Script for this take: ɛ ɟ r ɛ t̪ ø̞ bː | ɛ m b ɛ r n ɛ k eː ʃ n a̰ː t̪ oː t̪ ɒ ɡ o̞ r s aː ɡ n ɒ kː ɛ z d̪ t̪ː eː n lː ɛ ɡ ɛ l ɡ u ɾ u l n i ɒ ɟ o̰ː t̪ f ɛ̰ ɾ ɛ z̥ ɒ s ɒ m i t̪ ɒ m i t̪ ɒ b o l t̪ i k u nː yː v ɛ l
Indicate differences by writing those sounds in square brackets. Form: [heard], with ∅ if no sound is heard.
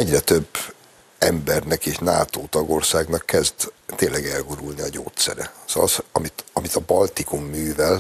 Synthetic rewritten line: ɛ ɟ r ɛ t̪ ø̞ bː | ɛ m b ɛ r n ɛ k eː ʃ n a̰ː t̪ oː t̪ ɒ ɡ o̞ r s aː ɡ n ɒ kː ɛ z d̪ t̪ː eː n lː ɛ ɡ ɛ l ɡ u ɾ u l n i ɒ ɟ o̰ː t̪ [s] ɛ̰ ɾ ɛ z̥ ɒ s ɒ m i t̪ ɒ m i t̪ ɒ b [ɒ] l t̪ i k u [mː] yː v ɛ l